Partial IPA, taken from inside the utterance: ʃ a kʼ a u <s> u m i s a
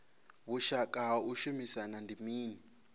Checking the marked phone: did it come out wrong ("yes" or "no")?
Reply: yes